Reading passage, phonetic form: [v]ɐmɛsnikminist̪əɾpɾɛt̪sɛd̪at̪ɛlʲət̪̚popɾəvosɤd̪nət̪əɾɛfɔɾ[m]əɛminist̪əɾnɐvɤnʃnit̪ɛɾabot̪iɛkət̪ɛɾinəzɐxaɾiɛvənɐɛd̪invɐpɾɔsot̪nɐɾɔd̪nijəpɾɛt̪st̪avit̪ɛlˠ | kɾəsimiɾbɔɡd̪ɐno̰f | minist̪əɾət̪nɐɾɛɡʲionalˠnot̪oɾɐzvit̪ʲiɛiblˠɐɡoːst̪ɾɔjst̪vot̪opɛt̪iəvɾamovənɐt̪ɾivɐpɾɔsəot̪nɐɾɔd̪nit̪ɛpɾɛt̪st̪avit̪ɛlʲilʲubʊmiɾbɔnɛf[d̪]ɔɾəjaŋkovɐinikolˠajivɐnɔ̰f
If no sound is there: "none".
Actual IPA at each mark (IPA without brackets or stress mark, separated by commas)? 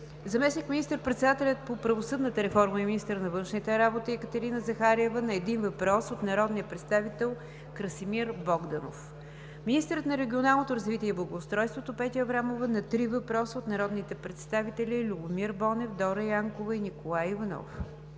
z, m, d̪